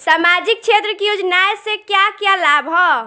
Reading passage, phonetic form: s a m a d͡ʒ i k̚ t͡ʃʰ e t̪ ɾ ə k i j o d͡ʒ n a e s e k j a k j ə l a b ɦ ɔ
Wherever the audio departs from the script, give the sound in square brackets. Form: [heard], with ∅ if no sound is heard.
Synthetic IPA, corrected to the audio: s a m a d͡ʒ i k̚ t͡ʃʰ e t̪ ɾ ə k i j o d͡ʒ n a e s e k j a k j [a] l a b ɦ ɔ